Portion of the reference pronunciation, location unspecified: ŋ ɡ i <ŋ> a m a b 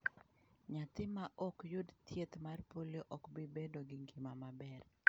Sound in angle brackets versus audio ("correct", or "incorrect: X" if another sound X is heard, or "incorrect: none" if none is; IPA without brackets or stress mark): incorrect: m